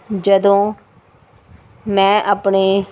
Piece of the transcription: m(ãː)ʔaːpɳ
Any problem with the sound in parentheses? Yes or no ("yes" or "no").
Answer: yes